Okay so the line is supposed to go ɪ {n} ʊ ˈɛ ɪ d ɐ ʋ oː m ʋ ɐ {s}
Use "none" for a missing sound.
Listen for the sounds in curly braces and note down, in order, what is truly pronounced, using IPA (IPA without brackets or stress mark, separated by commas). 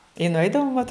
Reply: n, t